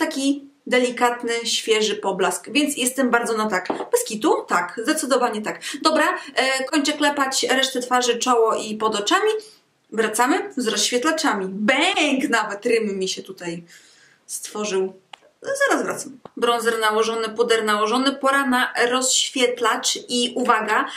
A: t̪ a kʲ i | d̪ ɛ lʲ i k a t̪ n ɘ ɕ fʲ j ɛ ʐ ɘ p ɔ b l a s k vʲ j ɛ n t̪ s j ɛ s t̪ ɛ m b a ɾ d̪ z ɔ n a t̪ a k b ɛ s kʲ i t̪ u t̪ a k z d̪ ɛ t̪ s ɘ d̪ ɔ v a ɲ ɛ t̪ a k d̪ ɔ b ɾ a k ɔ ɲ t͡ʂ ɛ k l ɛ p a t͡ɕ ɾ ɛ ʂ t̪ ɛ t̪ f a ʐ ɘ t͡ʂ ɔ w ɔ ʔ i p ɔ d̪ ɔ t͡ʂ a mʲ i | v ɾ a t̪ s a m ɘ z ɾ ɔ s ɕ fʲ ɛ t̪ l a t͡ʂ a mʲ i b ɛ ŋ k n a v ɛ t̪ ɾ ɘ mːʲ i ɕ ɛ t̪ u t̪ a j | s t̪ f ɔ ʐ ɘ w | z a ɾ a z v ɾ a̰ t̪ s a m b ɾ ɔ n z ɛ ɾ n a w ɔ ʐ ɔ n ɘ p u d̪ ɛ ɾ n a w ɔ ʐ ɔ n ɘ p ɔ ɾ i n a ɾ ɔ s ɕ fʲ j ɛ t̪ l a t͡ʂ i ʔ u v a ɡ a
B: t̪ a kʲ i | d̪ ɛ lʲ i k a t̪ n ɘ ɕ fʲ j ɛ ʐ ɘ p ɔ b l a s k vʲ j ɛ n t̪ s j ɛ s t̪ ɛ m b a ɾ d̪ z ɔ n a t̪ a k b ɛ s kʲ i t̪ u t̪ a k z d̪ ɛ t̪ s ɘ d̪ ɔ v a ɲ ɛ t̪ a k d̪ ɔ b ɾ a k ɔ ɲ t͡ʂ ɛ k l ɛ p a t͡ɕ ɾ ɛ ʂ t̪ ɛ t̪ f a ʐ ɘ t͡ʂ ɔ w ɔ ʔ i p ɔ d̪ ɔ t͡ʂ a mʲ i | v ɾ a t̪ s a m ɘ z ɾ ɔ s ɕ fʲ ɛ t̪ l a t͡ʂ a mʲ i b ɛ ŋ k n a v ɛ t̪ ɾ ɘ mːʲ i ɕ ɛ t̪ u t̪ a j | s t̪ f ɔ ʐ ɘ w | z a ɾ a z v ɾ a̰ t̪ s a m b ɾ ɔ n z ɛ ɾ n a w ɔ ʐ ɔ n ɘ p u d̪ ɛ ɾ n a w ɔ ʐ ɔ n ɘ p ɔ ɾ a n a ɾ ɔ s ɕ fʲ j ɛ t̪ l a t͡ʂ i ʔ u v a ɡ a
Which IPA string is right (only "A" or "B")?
B